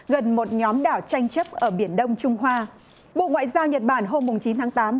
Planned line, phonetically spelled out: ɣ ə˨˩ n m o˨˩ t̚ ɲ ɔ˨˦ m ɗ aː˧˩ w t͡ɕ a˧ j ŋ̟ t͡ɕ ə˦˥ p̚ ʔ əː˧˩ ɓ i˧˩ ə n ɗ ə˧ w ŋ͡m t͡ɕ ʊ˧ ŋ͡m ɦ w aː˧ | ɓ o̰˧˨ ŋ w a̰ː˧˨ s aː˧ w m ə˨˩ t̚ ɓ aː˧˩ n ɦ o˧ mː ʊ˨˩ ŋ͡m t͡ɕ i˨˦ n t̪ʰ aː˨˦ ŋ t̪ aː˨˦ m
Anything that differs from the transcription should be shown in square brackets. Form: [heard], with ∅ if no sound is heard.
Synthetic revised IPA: ɣ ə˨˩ n m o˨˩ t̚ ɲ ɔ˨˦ m ɗ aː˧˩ w t͡ɕ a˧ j ŋ̟ t͡ɕ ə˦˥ p̚ ʔ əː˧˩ ɓ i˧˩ ə n ɗ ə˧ w ŋ͡m t͡ɕ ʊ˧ ŋ͡m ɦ w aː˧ | ɓ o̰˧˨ ŋ w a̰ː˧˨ [z] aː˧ w [ɲ] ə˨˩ t̚ ɓ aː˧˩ n ɦ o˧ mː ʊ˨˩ ŋ͡m t͡ɕ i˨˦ n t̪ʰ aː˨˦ ŋ t̪ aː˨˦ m